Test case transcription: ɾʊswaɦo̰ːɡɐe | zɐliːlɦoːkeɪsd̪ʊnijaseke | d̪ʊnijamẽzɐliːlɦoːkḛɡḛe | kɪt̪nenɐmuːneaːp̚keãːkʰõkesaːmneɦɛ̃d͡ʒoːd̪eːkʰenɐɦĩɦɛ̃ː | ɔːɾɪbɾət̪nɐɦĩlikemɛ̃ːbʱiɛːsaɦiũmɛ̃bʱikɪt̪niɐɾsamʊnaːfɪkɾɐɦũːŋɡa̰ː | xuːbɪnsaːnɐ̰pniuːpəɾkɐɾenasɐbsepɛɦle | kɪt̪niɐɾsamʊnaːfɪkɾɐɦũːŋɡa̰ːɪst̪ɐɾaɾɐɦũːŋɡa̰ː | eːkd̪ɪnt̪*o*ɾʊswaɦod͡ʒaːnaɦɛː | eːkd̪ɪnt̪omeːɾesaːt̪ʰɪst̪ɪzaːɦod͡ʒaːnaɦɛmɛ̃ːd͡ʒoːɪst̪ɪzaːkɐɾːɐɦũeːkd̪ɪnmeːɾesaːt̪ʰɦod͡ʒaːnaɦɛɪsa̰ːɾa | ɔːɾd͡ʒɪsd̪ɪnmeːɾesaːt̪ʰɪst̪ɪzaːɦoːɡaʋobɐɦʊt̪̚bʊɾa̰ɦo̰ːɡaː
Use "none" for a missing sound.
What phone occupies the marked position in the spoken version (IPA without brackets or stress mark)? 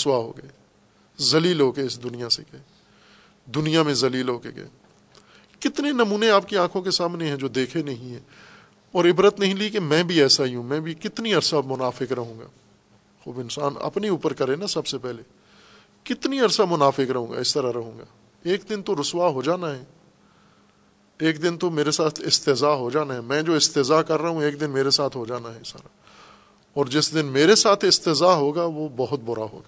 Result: o